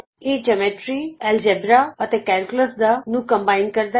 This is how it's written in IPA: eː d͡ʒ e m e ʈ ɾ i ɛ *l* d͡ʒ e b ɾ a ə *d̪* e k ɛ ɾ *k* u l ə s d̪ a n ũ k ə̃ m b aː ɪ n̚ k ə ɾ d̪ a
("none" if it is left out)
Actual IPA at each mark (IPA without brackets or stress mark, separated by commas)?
l, t̪, k